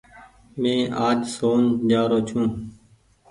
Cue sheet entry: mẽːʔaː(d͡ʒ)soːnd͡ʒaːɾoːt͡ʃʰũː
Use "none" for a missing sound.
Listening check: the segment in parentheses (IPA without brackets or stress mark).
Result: d͡ʒ